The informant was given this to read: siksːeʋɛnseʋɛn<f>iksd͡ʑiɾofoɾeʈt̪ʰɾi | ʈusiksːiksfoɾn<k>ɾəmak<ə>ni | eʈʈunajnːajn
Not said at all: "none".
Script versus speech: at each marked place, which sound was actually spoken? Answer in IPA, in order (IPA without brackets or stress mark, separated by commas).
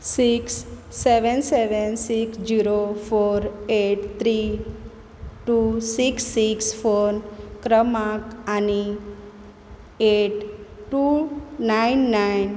s, k, a